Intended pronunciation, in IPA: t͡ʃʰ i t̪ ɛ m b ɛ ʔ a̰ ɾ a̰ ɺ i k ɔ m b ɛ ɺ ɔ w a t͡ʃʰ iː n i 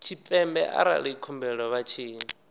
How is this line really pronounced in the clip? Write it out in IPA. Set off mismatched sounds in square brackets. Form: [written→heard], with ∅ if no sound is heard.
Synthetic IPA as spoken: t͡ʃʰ i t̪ ɛ m b ɛ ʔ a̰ ɾ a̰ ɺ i [k→kʰ] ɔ m b ɛ ɺ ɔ [w→β] a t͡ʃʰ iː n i